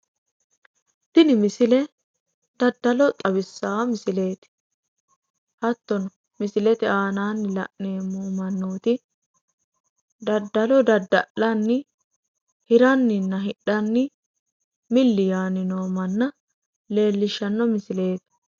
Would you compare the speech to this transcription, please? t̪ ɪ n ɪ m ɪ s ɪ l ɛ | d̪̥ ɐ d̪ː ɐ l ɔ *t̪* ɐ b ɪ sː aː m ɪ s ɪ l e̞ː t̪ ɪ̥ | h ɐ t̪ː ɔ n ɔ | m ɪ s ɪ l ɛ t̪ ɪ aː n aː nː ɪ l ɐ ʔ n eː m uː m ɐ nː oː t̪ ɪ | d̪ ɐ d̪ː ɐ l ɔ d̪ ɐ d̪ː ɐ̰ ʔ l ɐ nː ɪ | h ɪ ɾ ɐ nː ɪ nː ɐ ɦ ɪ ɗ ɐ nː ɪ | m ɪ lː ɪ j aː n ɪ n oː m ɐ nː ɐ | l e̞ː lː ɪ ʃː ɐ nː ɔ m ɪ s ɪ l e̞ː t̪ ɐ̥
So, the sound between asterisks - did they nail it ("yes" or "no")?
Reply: no